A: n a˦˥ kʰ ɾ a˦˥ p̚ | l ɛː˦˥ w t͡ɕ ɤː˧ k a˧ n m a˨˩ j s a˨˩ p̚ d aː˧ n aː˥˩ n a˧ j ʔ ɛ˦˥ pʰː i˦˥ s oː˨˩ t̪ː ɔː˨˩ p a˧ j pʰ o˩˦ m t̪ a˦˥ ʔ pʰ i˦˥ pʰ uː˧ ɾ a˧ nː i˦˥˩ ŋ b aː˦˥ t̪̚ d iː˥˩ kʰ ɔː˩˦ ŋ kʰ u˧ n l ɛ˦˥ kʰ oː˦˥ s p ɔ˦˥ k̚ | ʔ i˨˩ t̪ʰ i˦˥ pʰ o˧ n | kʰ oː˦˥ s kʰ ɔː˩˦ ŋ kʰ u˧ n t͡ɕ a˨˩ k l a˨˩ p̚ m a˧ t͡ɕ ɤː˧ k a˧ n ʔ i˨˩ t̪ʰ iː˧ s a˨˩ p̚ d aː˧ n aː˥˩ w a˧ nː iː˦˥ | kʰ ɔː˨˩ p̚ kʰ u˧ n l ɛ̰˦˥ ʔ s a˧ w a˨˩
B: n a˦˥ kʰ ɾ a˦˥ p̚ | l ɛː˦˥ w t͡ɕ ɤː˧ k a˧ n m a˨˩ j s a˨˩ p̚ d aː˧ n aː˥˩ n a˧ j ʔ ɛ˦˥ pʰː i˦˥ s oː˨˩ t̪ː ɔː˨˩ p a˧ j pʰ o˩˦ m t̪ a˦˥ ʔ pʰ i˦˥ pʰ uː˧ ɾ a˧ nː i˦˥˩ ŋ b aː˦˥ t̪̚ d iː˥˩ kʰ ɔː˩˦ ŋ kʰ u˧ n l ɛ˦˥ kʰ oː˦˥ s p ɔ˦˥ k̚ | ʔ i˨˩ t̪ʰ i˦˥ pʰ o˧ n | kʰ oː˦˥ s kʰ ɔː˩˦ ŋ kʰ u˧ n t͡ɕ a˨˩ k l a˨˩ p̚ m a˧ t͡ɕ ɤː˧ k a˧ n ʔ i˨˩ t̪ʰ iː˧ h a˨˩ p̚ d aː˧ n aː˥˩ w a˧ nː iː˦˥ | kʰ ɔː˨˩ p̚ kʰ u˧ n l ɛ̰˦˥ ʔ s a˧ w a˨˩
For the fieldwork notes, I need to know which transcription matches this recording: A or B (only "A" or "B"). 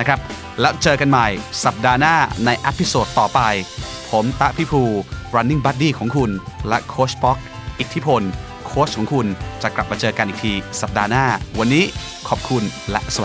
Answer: A